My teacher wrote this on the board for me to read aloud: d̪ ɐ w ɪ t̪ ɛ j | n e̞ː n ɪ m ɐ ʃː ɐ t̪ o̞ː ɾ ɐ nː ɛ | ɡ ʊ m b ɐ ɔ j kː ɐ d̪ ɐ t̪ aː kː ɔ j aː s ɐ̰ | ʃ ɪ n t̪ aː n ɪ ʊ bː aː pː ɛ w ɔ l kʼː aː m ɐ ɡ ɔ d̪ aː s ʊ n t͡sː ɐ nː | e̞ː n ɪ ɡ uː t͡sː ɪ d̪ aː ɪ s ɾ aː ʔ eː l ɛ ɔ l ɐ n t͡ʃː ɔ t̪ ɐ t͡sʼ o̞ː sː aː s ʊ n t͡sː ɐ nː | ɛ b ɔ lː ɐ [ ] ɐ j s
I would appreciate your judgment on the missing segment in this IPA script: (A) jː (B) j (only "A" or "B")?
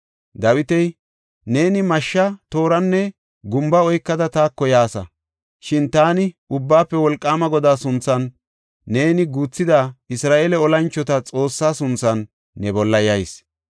B